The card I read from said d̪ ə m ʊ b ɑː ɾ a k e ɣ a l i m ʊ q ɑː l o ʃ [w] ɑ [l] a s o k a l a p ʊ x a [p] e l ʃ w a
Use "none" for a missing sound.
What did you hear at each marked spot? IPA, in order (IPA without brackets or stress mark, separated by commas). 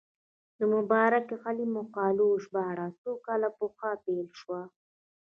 b, ɽ, p